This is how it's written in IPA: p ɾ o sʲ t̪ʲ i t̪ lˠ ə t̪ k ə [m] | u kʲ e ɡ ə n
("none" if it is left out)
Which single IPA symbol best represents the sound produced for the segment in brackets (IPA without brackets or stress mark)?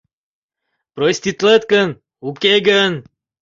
n